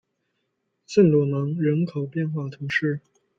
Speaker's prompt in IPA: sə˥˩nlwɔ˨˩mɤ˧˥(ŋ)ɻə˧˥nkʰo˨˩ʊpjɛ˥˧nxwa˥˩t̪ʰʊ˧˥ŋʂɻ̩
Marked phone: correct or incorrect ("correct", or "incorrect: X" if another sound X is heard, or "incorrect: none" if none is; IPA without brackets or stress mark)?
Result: correct